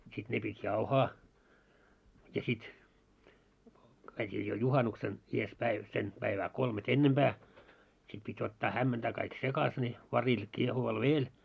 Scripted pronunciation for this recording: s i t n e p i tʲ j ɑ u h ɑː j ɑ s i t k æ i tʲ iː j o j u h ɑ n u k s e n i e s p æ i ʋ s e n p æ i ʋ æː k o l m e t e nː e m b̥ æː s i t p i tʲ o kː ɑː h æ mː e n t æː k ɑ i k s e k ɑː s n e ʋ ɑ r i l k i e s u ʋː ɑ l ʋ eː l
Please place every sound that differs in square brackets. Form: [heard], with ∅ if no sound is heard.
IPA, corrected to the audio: s i t n e p i tʲ j ɑ u h ɑː j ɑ s i t k æ i tʲ iː j o j u h ɑ n u k s e n i e s p æ i ʋ s e n p æ i ʋ æː k o l m e t e nː e m b̥ æː s i t p i tʲ o [tː] ɑː h æ mː e n t æː k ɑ i k s e k [ɑ] s n e ʋ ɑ r i l k i e [h] u [ʋ] ɑ l ʋ eː l